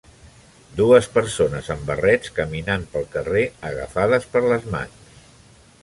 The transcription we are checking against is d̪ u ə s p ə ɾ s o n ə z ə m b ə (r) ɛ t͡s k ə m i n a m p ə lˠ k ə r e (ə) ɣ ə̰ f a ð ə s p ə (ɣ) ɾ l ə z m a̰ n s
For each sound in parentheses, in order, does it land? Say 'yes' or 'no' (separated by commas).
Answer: yes, yes, no